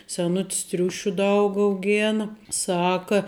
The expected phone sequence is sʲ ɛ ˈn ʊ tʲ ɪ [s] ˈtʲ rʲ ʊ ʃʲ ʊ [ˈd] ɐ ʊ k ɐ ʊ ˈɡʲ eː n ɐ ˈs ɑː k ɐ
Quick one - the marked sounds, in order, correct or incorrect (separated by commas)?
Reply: correct, correct